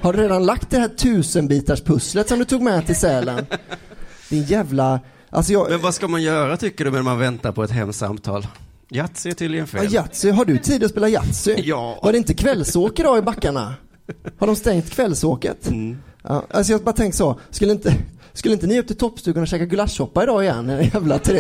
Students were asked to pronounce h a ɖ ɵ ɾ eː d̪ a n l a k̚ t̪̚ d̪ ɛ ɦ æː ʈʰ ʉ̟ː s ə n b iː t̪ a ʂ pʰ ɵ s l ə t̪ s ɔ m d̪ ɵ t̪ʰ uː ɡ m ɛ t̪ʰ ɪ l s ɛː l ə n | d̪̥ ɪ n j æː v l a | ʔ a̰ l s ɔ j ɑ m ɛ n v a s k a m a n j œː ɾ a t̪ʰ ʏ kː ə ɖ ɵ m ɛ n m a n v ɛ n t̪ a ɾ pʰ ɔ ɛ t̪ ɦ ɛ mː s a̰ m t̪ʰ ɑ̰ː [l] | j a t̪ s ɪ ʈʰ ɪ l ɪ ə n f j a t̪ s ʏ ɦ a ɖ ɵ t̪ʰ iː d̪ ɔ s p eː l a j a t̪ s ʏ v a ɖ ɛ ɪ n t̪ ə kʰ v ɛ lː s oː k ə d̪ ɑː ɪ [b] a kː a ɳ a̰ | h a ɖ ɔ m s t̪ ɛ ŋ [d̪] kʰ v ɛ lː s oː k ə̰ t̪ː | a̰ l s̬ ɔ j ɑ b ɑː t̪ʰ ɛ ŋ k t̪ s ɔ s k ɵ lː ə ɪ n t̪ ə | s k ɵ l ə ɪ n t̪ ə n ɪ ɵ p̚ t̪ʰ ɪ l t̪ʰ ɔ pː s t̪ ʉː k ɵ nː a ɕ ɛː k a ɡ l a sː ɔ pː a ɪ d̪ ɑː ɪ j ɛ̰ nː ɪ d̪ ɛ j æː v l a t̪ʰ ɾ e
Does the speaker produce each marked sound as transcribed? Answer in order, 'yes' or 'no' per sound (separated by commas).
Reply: yes, yes, no